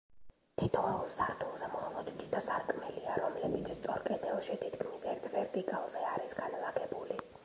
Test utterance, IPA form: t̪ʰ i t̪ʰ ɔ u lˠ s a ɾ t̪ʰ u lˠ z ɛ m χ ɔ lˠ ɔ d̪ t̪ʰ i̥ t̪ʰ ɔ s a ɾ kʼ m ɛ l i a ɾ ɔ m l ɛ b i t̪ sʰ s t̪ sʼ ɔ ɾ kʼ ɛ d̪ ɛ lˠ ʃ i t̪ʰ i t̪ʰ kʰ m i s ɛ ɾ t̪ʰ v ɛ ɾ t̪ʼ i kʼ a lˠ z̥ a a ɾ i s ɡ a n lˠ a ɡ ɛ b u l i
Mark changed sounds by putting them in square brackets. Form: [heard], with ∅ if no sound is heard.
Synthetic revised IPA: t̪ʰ i t̪ʰ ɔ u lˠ s a ɾ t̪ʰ u lˠ z ɛ m χ ɔ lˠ ɔ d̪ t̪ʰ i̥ t̪ʰ ɔ s a ɾ kʼ m ɛ l i a ɾ ɔ m l ɛ b i t̪ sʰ s t̪ sʼ ɔ ɾ kʼ ɛ d̪ ɛ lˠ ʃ i t̪ʰ i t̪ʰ kʰ m i s ɛ ɾ t̪ʰ v ɛ ɾ t̪ʼ i kʼ a lˠ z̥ [ɛ] a ɾ i s ɡ a n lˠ a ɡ ɛ b u l i